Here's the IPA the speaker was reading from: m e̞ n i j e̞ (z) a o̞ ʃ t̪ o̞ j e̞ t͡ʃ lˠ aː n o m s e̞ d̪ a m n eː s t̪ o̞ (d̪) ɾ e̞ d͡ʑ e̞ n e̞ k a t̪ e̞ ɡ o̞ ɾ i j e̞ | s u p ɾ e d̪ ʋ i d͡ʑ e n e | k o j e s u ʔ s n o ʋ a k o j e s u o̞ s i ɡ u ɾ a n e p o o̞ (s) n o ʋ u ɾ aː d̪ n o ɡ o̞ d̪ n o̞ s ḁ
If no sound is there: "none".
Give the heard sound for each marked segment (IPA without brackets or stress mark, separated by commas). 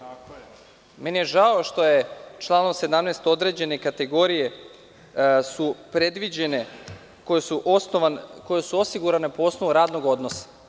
ʒ, d̪, s